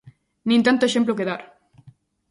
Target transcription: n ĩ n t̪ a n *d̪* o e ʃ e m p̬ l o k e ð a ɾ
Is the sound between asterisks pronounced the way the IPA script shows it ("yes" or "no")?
no